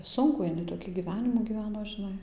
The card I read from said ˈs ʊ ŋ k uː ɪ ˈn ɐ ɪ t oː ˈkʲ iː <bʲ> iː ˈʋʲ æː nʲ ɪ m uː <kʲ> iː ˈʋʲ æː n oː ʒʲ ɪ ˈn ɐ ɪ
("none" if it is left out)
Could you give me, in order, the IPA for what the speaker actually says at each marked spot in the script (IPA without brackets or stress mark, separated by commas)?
ɡʲ, ɡʲ